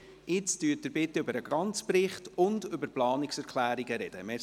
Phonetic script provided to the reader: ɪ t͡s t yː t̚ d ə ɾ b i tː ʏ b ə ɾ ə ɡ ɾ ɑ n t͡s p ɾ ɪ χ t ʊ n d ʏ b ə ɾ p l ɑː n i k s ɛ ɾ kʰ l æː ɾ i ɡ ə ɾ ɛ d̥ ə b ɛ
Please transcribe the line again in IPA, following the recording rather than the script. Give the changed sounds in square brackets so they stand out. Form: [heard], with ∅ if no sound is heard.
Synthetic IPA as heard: ɪ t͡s t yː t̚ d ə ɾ b [ɪ] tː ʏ b ə ɾ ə ɡ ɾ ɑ n t͡s p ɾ ɪ χ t ʊ n d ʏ b ə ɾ p l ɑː n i k s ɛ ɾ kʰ l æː ɾ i ɡ ə ɾ ɛ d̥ ə [m] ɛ